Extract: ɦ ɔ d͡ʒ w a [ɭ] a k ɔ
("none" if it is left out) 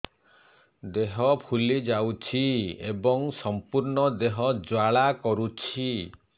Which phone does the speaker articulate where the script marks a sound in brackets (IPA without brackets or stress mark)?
ɭ